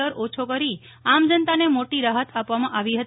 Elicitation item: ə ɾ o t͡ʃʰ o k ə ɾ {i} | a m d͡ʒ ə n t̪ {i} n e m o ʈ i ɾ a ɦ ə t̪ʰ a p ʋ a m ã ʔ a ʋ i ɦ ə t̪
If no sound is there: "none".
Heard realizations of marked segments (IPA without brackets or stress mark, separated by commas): i, a